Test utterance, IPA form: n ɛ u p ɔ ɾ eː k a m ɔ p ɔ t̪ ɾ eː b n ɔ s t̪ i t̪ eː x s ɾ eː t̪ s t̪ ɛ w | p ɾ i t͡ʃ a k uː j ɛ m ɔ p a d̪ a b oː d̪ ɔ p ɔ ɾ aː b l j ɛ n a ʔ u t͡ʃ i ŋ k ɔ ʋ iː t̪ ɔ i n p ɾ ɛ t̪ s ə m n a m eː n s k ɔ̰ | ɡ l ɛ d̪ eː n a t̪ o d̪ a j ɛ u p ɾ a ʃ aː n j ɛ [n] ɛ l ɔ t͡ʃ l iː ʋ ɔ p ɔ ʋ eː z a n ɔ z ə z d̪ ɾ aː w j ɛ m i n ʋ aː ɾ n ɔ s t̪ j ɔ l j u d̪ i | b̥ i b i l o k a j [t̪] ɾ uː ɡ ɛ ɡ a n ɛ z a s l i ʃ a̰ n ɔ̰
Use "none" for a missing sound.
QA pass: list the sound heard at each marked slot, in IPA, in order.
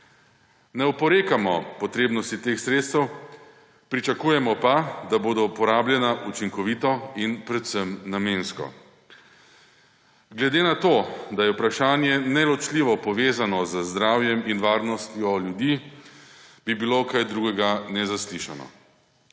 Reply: n, d̪

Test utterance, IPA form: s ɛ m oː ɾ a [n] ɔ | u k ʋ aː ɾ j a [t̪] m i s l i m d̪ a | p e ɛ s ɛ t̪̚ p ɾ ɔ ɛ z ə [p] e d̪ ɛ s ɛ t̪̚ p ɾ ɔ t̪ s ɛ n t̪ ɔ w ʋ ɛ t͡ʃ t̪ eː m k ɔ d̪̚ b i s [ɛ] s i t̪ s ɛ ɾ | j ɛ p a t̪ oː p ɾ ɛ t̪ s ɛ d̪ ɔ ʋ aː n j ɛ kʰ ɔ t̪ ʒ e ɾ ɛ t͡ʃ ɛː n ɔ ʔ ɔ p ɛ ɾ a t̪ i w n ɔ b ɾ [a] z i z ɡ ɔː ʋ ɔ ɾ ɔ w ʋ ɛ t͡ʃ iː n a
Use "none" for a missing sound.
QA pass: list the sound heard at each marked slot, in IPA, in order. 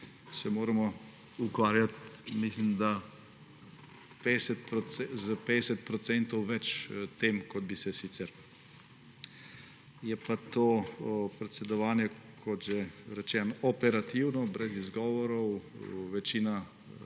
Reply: m, t̪, p, ɛ, ɛ

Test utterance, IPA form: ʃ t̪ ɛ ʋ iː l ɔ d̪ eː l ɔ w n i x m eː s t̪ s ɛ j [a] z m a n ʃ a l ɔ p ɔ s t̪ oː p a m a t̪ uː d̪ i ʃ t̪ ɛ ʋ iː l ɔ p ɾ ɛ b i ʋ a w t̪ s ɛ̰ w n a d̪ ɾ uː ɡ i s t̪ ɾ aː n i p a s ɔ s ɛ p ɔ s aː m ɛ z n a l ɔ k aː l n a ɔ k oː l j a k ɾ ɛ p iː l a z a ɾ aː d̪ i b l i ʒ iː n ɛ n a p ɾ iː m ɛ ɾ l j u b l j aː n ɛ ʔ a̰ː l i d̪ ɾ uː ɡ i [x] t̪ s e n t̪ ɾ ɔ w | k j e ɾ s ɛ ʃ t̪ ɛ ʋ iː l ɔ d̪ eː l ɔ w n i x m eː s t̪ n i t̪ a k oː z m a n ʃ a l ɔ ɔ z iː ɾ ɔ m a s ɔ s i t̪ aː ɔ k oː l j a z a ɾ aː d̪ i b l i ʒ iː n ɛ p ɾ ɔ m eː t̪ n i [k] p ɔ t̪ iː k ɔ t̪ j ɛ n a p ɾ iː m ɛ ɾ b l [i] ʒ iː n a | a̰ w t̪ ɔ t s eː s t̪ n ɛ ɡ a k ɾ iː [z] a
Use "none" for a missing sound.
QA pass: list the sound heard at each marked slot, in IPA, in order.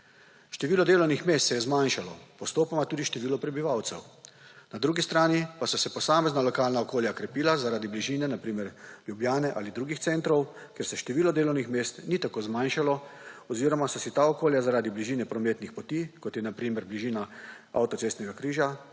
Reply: ɛ, x, x, i, ʒ

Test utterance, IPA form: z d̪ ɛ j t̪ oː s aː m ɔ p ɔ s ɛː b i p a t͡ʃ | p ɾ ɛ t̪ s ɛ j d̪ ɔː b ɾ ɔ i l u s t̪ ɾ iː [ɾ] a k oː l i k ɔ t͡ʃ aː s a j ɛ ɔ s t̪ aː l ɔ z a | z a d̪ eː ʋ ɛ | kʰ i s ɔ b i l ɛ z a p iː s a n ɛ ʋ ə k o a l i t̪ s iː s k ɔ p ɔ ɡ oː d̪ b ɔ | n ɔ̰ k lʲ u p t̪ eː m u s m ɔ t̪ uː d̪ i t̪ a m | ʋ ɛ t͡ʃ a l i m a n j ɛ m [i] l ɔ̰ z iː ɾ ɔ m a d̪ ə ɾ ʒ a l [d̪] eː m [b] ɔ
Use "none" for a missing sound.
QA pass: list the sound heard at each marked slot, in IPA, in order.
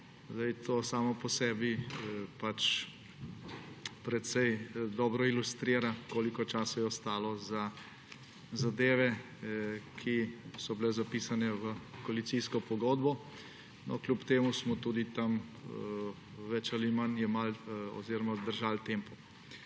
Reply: ɾ, a, t̪, p

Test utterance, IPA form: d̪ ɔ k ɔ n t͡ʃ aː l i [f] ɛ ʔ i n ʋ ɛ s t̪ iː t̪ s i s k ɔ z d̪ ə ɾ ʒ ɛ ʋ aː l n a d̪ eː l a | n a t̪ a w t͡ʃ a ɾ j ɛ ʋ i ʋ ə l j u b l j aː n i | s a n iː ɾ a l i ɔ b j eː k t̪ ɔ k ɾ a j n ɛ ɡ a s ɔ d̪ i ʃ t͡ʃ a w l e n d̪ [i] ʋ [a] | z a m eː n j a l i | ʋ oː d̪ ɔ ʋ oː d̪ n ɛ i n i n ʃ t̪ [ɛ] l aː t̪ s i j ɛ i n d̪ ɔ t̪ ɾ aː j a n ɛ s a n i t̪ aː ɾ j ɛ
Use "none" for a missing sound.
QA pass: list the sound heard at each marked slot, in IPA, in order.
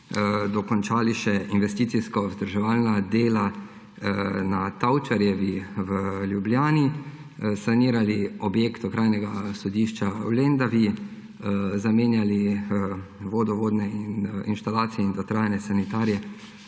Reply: ʃ, a, i, a

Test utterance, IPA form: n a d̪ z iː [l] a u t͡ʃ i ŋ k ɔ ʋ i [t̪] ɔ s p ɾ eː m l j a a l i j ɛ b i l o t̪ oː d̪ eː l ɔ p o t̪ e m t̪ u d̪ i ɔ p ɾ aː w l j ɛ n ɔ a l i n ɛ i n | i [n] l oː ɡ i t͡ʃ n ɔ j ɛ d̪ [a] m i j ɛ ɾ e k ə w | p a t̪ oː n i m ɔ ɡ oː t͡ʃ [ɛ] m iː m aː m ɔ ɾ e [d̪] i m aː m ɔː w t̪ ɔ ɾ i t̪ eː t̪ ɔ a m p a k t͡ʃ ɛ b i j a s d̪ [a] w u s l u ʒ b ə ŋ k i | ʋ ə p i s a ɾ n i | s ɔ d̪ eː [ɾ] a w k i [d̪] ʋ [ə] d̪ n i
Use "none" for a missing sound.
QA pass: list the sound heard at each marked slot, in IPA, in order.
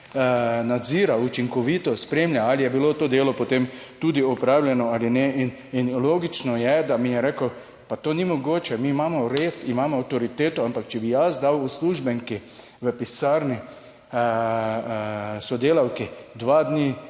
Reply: ɾ, t̪, n, a, ɛ, t̪, a, l, d̪, a

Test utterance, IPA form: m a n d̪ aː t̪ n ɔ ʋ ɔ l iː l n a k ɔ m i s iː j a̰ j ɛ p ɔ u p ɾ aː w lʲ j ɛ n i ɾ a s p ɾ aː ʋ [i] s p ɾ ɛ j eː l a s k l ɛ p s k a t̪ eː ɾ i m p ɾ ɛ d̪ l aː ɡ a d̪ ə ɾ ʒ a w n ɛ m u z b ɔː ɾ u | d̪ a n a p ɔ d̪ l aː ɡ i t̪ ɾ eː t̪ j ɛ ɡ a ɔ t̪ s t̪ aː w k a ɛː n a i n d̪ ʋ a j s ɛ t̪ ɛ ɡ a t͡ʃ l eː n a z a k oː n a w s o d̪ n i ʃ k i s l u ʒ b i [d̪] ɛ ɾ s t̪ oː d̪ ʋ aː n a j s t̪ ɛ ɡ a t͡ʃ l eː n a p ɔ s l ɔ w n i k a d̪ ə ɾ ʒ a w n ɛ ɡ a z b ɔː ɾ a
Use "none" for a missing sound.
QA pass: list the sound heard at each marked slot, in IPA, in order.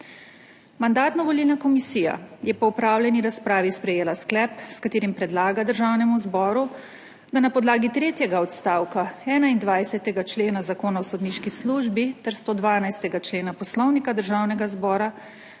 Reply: i, t̪

